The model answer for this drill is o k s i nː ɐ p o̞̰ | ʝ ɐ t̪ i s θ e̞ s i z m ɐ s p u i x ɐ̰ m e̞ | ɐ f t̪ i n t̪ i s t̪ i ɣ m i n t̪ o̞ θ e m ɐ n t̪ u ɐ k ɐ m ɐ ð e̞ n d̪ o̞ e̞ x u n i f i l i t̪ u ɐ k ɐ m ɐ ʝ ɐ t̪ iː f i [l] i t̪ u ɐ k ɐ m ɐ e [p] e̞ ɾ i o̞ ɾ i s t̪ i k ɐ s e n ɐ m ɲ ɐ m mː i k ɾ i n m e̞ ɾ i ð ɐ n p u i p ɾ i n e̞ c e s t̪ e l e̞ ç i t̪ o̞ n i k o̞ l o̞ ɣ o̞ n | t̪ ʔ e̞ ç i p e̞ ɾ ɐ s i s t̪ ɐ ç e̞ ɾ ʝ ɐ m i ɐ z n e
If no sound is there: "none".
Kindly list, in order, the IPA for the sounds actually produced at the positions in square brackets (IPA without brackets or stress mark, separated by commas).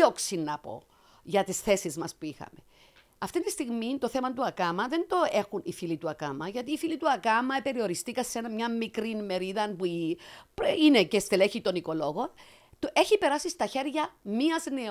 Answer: l, p